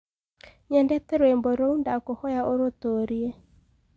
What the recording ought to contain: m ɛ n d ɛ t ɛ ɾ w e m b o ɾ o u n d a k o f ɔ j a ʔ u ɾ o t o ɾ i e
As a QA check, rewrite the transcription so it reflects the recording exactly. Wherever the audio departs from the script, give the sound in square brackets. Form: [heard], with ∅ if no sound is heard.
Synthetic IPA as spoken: [ɲ] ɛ n d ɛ t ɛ ɾ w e m b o ɾ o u n d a k o [h] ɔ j a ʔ [o] ɾ o t o ɾ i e